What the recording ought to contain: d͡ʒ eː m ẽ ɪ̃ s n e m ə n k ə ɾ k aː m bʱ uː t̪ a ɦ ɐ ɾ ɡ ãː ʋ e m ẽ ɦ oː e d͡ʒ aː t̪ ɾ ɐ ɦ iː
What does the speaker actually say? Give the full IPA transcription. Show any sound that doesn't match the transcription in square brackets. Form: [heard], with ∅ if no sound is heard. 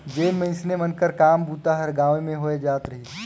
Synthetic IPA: d͡ʒ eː m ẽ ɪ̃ s n e m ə n k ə ɾ k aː m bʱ uː t̪ a ɦ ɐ ɾ ɡ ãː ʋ e m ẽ ɦ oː e d͡ʒ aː t̪ ɾ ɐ ɦ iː